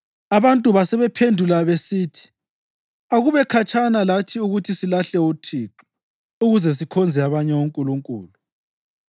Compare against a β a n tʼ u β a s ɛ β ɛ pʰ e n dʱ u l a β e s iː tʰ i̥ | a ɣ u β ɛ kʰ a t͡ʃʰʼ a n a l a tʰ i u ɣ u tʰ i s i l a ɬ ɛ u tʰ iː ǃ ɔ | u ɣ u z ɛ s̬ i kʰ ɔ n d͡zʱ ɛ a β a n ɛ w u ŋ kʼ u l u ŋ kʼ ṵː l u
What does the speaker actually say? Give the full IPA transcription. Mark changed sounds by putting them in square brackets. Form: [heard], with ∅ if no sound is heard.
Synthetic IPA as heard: a β a n tʼ u β a s ɛ β ɛ pʰ e n dʱ u l a β e s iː tʰ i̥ | a ɣ u β ɛ kʰ a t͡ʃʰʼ a n a l a tʰ i u ɣ u tʰ i s i l a ɬ ɛ u tʰ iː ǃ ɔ | u ɣ u z ɛ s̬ i kʰ ɔ n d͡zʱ ɛ a β a [ɲ] ɛ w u ŋ kʼ u l u ŋ kʼ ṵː l u